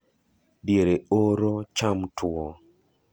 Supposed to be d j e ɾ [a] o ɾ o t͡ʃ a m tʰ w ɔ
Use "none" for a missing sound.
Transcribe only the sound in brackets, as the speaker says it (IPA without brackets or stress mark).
e